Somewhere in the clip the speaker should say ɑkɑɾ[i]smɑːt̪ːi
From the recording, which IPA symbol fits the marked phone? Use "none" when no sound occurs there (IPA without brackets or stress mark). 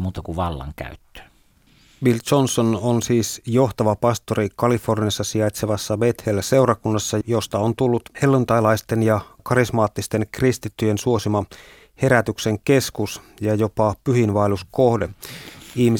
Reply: i